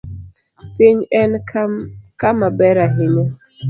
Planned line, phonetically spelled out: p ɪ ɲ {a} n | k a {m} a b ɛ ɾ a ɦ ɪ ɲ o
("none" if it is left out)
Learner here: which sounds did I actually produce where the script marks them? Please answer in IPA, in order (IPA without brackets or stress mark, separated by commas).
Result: ɛ, m